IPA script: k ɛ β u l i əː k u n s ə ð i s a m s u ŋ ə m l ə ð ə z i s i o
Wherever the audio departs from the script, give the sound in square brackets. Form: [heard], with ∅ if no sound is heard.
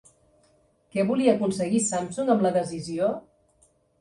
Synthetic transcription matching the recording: k ɛ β u l i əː k u n s ə [ɣ] i s a m s u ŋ ə m l ə ð ə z i [z] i o